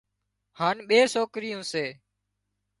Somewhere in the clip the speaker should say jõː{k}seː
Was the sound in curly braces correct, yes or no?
no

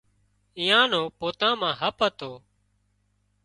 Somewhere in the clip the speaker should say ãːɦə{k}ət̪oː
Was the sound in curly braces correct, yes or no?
no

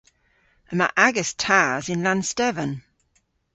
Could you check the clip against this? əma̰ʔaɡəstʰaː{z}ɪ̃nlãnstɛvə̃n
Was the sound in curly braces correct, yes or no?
yes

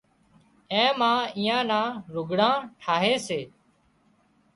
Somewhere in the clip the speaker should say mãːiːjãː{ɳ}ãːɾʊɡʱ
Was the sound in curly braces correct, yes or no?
no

